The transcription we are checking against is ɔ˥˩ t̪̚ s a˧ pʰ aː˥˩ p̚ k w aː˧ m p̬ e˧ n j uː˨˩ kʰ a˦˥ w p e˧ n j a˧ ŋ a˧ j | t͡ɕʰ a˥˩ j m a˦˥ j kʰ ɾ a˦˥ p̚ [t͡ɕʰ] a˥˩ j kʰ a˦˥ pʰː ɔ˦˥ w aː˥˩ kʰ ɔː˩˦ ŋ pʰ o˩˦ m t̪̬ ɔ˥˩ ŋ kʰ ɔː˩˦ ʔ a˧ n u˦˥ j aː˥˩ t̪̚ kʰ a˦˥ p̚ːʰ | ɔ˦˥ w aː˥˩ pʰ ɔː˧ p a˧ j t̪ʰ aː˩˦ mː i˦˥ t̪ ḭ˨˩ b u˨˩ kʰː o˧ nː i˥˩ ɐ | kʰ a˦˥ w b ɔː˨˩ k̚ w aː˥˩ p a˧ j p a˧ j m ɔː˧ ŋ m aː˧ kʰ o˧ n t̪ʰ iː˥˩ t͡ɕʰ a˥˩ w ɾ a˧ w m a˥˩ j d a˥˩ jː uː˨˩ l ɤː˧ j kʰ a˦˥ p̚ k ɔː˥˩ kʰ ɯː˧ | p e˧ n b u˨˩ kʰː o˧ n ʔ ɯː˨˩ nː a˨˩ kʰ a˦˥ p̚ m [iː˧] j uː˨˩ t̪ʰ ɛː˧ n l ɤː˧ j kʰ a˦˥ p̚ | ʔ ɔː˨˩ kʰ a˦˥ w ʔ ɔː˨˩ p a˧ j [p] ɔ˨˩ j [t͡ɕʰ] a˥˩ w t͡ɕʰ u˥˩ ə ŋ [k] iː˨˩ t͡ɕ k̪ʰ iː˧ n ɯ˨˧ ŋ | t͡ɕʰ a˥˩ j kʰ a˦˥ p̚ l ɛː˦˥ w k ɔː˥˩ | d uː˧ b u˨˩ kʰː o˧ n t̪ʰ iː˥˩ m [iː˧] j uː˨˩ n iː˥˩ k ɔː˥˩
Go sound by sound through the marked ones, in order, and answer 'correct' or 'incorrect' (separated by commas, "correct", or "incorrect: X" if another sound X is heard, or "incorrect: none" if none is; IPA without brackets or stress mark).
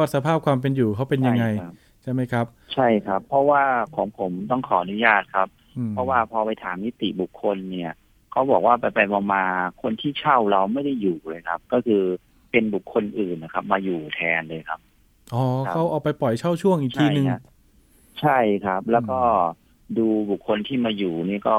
correct, incorrect: aː˧, correct, correct, incorrect: ʔ, incorrect: aː˧